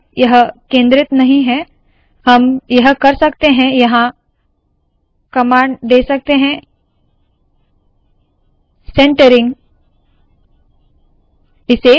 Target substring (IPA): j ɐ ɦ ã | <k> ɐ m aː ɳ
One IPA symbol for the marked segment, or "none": k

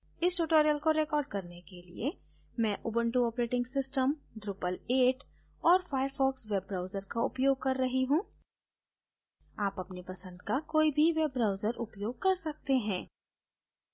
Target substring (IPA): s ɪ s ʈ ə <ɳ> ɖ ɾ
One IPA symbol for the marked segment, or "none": m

